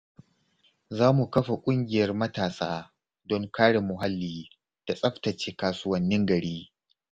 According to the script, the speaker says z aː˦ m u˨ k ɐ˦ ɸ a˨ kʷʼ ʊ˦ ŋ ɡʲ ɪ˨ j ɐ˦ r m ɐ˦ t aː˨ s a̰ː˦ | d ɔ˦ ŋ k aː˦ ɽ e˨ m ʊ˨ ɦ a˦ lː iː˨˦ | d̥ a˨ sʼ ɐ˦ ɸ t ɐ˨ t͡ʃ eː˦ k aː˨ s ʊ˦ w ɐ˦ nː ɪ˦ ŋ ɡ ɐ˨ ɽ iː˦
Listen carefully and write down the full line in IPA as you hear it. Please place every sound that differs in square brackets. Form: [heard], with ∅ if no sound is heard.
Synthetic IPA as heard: z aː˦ m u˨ k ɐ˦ ɸ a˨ kʷʼ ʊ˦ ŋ ɡʲ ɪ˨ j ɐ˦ r m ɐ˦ t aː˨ s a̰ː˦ | d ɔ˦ ŋ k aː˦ ɽ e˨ m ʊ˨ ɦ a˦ lː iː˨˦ | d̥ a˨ sʼ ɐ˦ ɸ t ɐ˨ t͡ʃ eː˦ k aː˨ s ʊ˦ w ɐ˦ nː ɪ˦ ŋ ɡ ɐ˨ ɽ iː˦